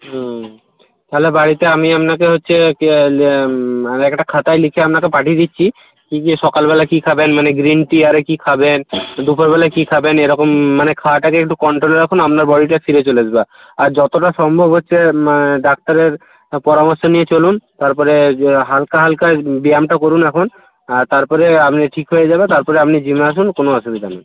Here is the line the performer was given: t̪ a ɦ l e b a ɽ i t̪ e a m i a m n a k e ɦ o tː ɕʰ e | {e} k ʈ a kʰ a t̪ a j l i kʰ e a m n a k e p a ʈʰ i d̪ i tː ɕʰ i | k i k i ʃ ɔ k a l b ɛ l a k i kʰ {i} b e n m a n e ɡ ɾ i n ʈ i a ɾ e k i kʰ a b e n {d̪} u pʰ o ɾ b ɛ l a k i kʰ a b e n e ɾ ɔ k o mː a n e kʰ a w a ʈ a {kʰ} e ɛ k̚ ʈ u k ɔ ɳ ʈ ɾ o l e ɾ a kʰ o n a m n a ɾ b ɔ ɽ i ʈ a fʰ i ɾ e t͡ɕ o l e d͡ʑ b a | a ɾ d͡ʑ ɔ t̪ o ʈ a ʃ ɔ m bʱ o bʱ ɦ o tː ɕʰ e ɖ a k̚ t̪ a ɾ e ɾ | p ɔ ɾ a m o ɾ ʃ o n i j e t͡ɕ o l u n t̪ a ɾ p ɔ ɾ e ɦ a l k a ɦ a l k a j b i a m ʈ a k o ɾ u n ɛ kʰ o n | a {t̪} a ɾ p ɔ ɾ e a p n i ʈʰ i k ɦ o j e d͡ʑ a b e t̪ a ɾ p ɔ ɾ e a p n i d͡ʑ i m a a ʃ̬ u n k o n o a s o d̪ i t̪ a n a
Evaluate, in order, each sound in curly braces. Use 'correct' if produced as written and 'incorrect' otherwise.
incorrect, incorrect, correct, incorrect, correct

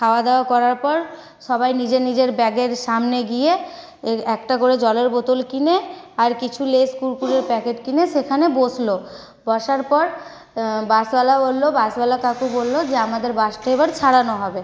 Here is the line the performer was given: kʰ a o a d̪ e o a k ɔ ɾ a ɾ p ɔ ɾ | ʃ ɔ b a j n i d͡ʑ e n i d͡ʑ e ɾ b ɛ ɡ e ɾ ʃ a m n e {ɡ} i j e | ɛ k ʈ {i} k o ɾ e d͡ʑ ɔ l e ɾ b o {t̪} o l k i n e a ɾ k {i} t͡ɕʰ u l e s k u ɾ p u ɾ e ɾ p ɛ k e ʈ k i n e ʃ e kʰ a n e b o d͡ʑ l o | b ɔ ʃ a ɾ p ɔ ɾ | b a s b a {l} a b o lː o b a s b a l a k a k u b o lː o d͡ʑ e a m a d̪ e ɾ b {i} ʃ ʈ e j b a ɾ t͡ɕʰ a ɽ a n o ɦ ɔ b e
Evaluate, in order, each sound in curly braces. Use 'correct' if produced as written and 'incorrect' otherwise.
correct, incorrect, correct, correct, correct, incorrect

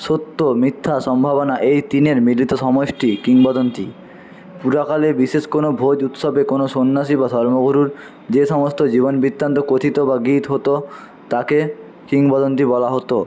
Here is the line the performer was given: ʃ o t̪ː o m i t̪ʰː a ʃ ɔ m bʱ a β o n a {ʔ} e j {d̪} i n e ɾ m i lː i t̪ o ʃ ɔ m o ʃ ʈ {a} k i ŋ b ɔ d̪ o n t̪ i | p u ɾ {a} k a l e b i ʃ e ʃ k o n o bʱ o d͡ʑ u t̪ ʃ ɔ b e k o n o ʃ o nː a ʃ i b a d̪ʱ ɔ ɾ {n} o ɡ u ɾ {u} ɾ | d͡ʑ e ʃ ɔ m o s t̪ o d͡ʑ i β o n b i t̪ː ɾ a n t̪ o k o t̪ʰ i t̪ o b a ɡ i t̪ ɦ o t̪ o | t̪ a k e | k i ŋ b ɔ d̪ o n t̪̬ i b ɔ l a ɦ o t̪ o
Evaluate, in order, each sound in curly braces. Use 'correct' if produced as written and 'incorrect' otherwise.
correct, incorrect, incorrect, correct, incorrect, correct

